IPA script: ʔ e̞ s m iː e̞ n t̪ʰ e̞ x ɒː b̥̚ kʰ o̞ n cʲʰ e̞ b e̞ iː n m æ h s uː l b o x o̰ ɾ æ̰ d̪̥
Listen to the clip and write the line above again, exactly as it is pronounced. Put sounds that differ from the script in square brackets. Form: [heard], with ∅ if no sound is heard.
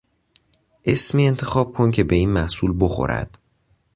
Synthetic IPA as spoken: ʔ e̞ s m iː e̞ n t̪ʰ e̞ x ɒː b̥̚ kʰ o̞ n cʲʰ e̞ b e̞ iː n m æ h s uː l b o x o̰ ɾ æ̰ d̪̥